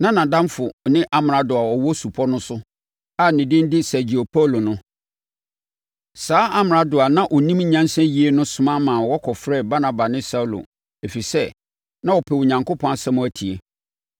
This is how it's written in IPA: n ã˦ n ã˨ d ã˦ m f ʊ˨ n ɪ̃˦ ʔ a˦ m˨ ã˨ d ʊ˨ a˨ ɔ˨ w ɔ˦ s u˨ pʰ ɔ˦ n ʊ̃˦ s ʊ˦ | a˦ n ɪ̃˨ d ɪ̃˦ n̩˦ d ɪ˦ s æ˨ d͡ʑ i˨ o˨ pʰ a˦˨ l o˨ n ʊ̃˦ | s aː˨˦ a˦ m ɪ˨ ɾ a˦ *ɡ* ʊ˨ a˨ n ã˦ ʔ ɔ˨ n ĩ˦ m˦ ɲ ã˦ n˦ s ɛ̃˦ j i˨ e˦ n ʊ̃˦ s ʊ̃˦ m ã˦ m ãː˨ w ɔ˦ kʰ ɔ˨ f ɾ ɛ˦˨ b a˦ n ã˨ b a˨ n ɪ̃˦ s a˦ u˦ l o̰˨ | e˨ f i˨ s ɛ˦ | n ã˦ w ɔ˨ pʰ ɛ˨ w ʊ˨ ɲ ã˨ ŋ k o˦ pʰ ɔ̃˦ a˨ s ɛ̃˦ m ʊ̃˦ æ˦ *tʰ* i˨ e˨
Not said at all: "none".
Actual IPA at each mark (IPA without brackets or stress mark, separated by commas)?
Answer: d, tʰ